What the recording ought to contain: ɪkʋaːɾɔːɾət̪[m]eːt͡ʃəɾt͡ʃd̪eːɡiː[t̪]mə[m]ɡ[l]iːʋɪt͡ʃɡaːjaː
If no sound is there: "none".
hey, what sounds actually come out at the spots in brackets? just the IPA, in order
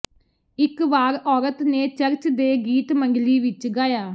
n, t̪, ŋ, l

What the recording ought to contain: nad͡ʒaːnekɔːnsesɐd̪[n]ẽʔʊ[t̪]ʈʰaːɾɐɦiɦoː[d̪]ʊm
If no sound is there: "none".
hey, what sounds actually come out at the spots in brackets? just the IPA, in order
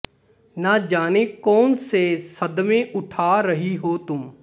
m, none, t̪

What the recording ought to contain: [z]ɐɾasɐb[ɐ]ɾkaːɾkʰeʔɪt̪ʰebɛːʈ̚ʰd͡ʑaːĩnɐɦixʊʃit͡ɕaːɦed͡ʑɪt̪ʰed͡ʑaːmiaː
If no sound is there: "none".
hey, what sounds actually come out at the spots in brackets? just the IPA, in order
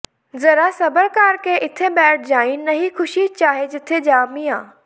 z, ə

